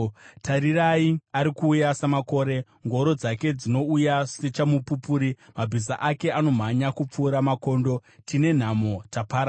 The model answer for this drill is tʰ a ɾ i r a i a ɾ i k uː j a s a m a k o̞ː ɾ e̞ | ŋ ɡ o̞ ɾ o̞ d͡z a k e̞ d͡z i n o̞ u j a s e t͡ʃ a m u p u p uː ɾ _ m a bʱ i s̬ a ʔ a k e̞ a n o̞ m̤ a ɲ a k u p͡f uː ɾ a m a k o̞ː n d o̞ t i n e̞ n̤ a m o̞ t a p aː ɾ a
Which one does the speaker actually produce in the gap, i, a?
i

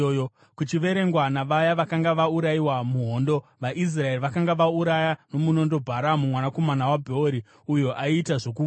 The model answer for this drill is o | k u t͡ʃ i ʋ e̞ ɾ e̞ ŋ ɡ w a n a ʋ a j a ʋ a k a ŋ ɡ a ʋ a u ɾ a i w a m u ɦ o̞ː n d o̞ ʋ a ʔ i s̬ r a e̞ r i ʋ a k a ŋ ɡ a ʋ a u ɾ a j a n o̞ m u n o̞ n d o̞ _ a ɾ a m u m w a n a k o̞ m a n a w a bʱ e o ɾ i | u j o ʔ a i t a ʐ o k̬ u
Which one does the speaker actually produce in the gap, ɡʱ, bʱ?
bʱ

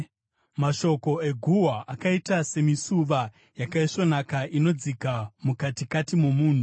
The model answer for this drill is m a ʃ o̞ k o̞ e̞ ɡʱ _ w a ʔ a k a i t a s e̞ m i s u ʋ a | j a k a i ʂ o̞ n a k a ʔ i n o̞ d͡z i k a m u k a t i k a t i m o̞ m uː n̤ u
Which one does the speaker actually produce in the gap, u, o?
u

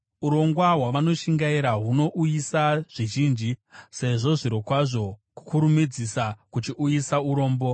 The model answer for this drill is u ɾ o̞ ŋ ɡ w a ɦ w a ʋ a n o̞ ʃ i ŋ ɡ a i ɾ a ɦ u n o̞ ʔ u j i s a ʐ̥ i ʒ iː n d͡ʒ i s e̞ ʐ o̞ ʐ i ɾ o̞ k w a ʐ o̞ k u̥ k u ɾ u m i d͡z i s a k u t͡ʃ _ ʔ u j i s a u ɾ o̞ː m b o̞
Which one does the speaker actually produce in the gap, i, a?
i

